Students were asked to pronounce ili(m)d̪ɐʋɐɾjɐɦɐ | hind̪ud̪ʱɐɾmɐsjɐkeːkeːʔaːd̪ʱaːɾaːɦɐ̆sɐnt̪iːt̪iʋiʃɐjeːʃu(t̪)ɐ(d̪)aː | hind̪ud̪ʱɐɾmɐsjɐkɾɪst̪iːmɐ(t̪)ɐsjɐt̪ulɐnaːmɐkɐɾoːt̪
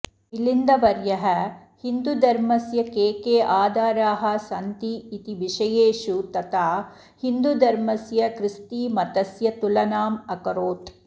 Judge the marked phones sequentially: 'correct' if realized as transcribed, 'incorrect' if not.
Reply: incorrect, correct, incorrect, correct

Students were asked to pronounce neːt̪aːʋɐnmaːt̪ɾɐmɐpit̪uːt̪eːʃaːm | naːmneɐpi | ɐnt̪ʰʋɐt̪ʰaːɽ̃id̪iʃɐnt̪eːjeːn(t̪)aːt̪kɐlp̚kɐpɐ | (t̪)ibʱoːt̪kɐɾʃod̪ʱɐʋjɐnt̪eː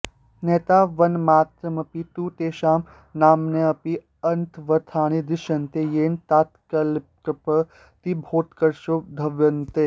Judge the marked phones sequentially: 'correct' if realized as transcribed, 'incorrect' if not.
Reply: correct, correct

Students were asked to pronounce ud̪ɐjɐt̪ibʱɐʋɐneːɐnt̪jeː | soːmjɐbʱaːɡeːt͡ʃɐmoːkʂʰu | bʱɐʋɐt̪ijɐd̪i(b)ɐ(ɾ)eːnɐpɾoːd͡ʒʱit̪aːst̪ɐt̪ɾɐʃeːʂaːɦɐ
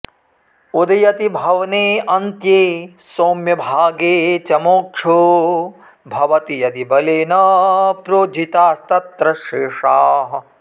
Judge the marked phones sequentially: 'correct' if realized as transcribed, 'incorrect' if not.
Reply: correct, incorrect

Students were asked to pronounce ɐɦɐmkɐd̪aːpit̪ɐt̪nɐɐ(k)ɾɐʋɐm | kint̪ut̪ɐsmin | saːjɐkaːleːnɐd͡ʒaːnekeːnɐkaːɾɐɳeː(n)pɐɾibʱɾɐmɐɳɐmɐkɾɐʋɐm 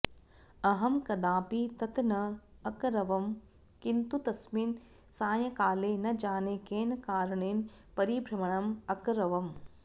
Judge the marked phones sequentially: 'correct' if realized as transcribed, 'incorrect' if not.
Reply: correct, correct

